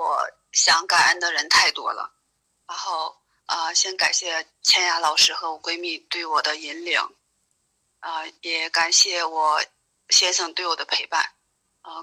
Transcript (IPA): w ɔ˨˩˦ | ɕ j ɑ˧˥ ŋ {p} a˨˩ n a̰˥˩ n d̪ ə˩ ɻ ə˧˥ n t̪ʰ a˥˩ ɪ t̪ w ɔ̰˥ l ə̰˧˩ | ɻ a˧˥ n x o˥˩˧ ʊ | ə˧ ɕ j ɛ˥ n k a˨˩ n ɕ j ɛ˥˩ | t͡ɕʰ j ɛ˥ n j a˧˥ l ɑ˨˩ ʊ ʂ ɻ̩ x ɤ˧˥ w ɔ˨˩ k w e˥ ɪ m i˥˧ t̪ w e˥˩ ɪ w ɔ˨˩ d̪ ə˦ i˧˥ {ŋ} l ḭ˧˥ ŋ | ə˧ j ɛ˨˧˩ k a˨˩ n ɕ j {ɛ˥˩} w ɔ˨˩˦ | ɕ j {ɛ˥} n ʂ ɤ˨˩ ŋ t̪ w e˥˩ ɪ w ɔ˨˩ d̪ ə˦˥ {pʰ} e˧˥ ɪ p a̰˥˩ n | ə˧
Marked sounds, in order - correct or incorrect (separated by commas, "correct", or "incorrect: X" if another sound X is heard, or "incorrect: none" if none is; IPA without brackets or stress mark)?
incorrect: k, incorrect: n, correct, correct, correct